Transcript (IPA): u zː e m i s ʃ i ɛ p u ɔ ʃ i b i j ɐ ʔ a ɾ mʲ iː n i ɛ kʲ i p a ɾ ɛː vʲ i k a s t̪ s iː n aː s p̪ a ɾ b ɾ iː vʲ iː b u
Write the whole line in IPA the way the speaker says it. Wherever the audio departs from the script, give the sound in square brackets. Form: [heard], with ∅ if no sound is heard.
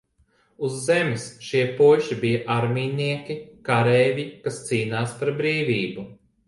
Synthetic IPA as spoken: u zː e m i s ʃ i ɛ p u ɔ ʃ i b i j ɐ ʔ a ɾ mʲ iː n i ɛ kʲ i [k] a ɾ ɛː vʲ i k a s t̪ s iː n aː s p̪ a ɾ b ɾ iː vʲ iː b u

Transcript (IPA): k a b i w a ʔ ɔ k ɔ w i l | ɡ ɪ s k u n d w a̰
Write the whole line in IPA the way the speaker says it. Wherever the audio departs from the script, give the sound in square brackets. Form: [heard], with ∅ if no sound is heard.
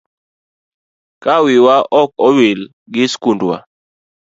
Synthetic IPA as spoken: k a [w] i w a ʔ ɔ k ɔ w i l | ɡ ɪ s k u n d w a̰

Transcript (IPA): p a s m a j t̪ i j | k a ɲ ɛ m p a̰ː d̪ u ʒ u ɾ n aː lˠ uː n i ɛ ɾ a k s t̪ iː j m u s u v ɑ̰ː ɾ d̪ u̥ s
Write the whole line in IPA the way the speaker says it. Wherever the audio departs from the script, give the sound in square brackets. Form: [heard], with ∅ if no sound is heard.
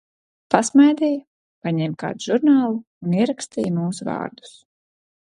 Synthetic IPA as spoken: p a s m a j [d̪] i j | [p] a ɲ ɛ m [k] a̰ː d̪ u ʒ u ɾ n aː lˠ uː n i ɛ ɾ a k s t̪ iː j m [uː] s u v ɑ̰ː ɾ d̪ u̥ s

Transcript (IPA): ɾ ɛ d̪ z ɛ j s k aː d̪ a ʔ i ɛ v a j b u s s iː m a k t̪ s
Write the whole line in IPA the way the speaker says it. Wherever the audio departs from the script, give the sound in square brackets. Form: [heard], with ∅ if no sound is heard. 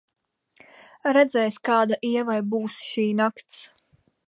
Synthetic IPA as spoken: ɾ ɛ d̪ z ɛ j s k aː d̪ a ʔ i ɛ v a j b [uː] s [ʃ] iː [n] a k t̪ s

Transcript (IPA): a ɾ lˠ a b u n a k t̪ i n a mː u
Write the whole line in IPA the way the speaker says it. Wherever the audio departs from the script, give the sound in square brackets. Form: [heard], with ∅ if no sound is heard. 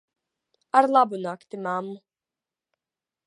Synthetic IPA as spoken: a ɾ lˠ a b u n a k t̪ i [m] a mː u

